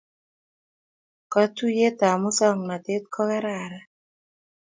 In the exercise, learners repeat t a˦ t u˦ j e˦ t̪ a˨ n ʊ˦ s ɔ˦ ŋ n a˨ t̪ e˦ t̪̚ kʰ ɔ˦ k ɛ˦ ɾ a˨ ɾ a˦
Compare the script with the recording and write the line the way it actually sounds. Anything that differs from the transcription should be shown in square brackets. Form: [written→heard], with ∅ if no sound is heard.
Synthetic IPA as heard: [t→k] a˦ t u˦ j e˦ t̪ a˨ [n→m] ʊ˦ s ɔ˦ ŋ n a˨ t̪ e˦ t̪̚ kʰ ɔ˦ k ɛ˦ ɾ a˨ ɾ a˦